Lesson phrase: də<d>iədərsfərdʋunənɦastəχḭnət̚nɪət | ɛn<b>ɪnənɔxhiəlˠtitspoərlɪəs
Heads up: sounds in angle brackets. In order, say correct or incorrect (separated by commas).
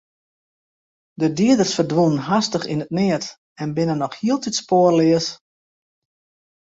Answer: correct, correct